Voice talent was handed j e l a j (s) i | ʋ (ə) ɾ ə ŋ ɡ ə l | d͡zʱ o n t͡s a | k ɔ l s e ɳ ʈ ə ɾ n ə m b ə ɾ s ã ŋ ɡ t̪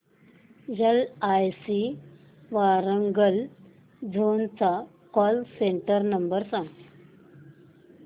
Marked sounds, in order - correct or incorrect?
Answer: correct, incorrect

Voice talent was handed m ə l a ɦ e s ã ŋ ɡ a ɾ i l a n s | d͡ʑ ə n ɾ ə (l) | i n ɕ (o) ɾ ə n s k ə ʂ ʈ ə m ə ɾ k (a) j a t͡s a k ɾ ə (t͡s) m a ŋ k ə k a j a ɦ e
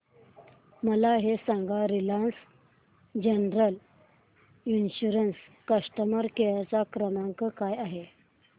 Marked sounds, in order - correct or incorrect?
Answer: correct, incorrect, incorrect, incorrect

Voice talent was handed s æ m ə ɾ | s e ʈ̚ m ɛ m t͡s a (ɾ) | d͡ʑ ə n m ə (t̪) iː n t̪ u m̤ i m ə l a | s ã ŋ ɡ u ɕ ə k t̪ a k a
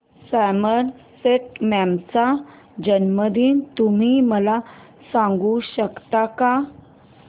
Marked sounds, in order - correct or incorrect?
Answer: incorrect, incorrect

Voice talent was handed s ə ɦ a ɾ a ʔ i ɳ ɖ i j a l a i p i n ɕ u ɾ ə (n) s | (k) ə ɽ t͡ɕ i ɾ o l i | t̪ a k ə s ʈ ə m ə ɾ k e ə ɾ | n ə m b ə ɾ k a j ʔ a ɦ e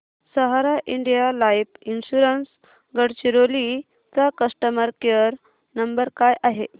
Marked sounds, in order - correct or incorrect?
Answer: correct, incorrect

